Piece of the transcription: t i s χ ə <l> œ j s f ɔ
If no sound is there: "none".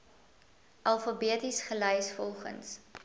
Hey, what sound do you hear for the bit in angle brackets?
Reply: l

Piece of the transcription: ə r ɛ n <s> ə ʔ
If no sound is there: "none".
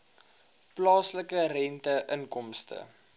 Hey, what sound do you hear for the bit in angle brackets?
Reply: t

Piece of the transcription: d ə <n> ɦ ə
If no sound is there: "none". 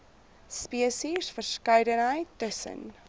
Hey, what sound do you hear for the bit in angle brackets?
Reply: n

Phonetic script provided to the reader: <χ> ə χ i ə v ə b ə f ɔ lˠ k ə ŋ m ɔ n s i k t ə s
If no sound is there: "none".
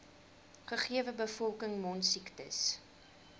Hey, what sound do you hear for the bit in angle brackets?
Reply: χ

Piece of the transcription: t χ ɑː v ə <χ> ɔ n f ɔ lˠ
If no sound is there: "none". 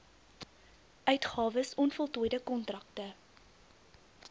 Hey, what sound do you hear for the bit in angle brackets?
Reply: s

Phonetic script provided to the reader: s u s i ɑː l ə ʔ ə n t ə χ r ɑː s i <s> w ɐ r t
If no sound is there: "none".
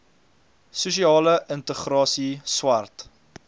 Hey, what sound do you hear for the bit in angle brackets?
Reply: s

